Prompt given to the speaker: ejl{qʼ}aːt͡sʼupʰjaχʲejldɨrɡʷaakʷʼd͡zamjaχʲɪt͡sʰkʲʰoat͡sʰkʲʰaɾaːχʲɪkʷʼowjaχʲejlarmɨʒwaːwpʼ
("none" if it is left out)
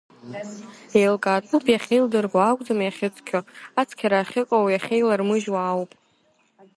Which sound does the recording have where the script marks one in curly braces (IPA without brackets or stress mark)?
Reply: kʼ